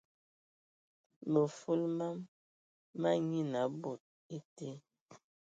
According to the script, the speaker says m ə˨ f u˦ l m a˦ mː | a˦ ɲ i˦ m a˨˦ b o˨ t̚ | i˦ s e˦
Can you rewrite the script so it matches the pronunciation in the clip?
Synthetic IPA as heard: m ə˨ f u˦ l m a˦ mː | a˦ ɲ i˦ n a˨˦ b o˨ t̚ | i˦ t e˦